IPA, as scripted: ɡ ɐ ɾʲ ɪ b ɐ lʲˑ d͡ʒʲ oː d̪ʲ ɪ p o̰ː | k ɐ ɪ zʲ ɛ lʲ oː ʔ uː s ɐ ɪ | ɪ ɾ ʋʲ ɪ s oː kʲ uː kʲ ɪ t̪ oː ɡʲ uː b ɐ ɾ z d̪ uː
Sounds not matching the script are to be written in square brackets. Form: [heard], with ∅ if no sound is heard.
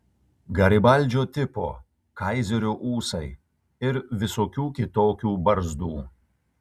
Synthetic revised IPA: ɡ ɐ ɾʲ ɪ b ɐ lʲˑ d͡ʒʲ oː [t̪ʲ] ɪ p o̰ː | k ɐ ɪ zʲ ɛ [ɾʲ] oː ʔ uː s ɐ ɪ | ɪ ɾ ʋʲ ɪ s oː kʲ uː kʲ ɪ t̪ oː [kʲ] uː b ɐ ɾ z d̪ uː